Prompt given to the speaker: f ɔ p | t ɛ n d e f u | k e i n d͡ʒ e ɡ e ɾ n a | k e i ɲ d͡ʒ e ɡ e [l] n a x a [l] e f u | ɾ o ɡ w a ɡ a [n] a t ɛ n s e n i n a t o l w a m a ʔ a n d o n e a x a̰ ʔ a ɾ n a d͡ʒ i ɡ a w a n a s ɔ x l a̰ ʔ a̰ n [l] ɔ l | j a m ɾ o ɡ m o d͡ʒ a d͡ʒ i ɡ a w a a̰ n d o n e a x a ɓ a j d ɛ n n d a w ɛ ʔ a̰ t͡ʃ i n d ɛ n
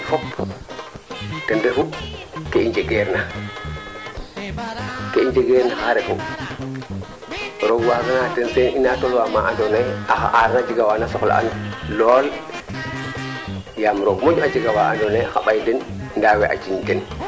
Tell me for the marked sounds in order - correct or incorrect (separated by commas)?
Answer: incorrect, incorrect, correct, correct